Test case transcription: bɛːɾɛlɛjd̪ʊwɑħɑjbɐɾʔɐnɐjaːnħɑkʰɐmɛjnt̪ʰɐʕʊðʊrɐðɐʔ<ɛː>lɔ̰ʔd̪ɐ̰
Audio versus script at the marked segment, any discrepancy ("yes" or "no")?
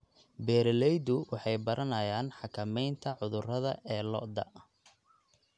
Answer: no